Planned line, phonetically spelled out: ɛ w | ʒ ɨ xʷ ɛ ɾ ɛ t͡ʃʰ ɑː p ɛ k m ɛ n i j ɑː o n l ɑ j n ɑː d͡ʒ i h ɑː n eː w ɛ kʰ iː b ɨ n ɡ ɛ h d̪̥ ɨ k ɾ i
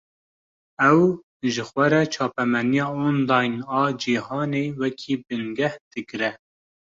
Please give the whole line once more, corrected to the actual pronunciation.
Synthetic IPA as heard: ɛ w | ʒ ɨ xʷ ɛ ɾ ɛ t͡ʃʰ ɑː p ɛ m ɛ n i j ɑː o n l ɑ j n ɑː d͡ʒ i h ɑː n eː w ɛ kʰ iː b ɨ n ɡ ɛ h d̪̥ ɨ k ɾ ɛ